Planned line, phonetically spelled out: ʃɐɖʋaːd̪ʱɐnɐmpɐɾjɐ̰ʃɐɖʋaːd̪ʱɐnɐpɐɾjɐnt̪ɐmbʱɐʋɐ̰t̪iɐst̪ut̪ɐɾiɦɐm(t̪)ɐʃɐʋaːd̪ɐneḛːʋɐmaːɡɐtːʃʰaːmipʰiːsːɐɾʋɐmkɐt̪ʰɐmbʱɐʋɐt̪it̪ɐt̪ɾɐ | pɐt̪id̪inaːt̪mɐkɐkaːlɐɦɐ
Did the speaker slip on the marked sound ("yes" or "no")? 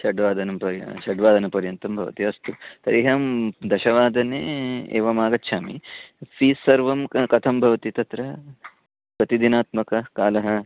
yes